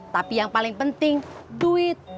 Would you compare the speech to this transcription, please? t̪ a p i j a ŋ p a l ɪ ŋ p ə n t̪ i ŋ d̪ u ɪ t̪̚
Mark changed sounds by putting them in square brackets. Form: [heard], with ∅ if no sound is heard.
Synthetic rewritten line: t̪ a p i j a ŋ p a l ɪ ŋ p ə n t̪ [ɪ] ŋ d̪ u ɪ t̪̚